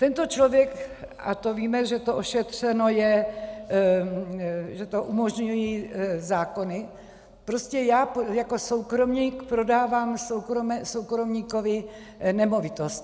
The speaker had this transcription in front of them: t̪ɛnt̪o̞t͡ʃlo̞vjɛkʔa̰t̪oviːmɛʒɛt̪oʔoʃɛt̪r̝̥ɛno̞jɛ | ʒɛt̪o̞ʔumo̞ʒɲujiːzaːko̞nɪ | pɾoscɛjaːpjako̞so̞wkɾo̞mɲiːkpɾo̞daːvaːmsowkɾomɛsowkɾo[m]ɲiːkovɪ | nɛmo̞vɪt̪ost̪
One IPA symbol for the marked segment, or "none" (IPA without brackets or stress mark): m